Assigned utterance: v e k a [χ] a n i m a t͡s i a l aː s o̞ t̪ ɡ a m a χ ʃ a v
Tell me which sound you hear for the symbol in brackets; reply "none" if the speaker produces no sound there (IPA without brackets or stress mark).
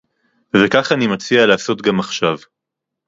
χ